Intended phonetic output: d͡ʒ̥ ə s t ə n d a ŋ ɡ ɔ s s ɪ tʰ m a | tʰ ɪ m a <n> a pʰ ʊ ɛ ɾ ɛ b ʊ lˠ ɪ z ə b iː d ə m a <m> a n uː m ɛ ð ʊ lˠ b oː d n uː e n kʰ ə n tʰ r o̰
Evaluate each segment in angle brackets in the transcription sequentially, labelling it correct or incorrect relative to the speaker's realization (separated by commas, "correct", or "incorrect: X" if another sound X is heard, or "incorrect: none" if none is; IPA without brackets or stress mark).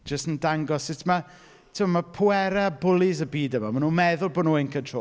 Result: incorrect: m, correct